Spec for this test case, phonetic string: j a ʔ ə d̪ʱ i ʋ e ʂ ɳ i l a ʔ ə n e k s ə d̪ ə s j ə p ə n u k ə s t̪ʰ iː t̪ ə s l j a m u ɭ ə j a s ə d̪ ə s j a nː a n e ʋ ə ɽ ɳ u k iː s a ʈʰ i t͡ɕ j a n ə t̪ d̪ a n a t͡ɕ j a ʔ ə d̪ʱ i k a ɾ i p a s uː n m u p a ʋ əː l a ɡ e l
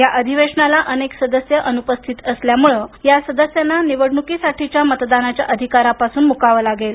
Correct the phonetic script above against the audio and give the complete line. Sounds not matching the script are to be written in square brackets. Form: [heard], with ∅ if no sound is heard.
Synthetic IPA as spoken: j a ʔ ə d̪ʱ i ʋ e ʂ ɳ [a] l a ʔ ə n e k s ə d̪ ə s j ə [ʔ] ə n u [p] ə s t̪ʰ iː t̪ ə s l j a m u ɭ ə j a s ə d̪ ə s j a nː a n [i] ʋ ə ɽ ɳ u k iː s a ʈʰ i t͡ɕ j a [m] ə t̪ d̪ a n a t͡ɕ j a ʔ ə d̪ʱ i k a ɾ [a] p a s uː n m u [k] a ʋ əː l a ɡ e l